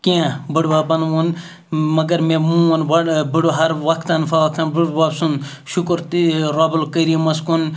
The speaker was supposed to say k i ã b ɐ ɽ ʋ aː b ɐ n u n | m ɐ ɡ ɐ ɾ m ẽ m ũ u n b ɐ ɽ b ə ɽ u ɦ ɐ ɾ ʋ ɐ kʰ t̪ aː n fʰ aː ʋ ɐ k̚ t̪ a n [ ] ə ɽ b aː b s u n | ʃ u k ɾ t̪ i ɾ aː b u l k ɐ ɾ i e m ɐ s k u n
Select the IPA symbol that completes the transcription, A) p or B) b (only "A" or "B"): B